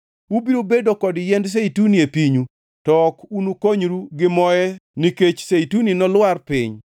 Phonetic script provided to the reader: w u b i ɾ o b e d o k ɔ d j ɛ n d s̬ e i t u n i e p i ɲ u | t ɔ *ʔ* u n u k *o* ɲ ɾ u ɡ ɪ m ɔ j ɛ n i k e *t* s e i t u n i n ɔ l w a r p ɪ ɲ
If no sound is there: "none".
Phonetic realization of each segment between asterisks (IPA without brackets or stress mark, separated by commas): k, o, t͡ʃ